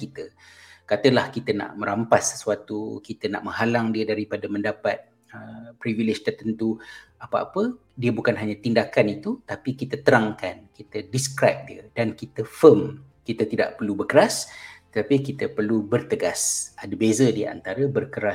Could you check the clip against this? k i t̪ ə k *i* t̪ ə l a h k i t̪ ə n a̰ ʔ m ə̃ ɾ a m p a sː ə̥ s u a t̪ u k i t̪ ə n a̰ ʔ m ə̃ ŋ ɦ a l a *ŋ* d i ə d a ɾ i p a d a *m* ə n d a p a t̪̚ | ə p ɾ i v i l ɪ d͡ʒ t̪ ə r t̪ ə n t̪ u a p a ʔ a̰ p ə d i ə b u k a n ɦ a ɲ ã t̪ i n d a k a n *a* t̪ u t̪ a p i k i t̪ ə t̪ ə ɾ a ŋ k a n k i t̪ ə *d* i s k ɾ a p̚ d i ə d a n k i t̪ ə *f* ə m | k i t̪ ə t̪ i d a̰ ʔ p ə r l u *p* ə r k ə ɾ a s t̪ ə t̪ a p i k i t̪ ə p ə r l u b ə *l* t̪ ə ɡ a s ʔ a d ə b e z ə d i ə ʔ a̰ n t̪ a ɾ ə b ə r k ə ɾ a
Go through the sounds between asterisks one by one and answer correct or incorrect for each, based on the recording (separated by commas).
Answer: incorrect, correct, correct, incorrect, correct, correct, incorrect, incorrect